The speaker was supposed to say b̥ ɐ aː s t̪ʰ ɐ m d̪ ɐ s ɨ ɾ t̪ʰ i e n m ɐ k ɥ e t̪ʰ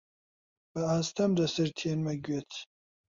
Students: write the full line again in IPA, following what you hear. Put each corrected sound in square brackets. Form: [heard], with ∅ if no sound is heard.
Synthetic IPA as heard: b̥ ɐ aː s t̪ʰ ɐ m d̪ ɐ s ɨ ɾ t̪ʰ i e n m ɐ [ɡ] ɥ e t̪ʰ